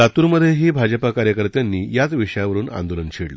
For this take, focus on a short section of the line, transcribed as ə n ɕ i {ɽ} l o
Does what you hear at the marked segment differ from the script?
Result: no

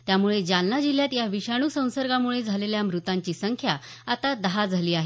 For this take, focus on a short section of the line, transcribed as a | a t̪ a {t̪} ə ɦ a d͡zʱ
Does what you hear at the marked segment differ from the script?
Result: yes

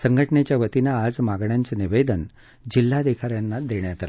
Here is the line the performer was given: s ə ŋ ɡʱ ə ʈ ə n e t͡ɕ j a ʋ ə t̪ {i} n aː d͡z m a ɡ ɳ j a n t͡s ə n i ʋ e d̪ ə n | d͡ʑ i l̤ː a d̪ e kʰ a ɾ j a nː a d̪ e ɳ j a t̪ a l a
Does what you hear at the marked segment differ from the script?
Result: no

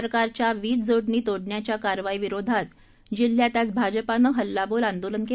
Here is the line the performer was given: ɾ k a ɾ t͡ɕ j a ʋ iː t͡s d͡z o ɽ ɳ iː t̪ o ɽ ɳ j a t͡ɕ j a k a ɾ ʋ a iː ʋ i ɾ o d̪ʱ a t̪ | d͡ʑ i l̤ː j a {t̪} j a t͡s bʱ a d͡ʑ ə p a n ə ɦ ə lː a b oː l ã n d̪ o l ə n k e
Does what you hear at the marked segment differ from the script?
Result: no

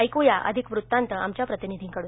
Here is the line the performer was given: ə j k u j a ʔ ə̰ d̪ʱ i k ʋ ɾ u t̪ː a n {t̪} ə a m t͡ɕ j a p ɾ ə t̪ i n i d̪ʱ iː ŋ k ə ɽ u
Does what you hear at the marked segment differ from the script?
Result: no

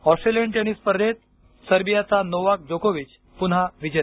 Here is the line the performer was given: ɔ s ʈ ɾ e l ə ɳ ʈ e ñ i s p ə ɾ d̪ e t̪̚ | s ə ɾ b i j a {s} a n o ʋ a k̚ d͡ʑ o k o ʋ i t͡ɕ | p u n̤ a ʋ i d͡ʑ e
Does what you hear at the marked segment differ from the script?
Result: yes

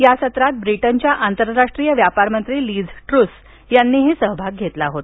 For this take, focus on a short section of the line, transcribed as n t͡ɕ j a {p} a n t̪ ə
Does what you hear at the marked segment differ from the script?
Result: yes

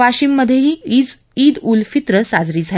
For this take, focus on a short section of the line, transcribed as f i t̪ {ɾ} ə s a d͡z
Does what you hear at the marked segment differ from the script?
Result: no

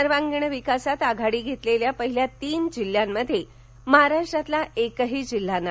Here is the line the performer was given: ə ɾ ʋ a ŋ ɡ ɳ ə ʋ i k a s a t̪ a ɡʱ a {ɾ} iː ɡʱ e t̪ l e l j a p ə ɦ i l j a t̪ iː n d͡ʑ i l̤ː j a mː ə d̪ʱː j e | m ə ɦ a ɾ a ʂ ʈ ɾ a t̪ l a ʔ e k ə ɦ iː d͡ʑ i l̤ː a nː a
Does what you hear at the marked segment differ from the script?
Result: yes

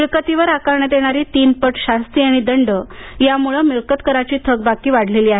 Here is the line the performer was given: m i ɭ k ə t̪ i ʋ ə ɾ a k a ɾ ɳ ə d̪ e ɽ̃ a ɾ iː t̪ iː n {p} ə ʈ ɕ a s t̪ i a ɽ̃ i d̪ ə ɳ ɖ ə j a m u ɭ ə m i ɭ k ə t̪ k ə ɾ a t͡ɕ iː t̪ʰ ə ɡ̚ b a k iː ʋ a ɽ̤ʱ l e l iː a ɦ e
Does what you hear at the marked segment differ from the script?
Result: no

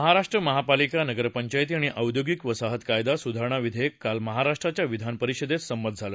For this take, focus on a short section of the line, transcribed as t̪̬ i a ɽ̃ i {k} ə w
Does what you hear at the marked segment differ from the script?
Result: yes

